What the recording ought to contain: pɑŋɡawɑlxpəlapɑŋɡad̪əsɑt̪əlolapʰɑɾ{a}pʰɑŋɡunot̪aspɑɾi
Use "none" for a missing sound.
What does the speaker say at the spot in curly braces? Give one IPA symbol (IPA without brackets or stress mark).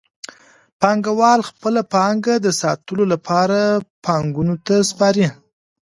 a